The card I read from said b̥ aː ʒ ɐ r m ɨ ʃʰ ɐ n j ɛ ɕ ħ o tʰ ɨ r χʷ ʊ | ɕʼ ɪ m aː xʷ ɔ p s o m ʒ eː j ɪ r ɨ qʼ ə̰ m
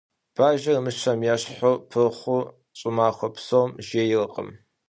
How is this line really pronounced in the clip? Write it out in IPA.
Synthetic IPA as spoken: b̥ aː ʒ ɐ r m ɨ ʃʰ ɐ m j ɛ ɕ ħ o pʰ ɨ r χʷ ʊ | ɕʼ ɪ m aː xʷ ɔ p s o m ʒ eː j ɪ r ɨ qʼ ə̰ m